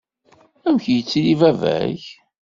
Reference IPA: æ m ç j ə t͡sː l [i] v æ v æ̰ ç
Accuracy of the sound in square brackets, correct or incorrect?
correct